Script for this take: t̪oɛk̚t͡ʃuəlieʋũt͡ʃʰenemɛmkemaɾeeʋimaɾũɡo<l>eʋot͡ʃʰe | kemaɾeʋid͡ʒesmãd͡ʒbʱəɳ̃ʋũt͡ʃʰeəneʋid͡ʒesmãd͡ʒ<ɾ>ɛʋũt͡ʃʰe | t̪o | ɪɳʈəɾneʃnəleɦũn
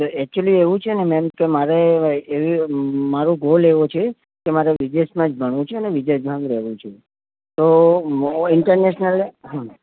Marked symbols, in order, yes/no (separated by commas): yes, yes